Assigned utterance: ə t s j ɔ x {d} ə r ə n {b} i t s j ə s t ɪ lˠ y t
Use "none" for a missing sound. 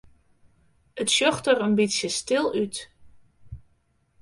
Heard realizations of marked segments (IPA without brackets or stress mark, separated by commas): t, b